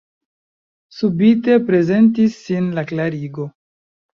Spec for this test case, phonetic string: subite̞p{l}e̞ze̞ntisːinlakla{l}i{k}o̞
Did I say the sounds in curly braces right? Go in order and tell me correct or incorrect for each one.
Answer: incorrect: ɾ, incorrect: ɾ, incorrect: ɡ

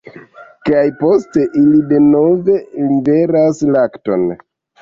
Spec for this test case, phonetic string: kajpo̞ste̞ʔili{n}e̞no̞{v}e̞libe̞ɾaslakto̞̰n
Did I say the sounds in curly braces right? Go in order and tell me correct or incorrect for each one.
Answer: incorrect: d, correct

